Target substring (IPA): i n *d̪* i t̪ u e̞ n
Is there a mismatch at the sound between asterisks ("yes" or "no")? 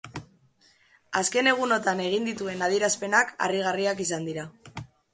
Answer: no